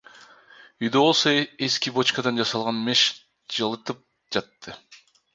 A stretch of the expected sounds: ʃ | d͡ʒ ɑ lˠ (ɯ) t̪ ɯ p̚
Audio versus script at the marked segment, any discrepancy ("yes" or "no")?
no